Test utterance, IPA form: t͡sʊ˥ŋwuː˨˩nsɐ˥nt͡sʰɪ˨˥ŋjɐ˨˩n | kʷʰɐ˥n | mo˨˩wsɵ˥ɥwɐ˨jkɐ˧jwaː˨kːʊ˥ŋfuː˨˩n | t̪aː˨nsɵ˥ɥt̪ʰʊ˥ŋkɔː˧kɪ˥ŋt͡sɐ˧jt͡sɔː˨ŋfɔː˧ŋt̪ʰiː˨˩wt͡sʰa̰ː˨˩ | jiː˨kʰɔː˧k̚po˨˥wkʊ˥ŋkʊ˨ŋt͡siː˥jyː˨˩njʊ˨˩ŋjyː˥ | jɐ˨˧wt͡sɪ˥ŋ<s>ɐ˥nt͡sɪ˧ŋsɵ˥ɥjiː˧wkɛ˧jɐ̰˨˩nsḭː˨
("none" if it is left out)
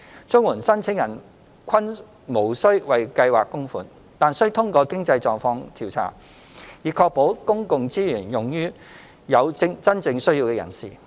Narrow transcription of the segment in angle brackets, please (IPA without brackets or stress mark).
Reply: t͡s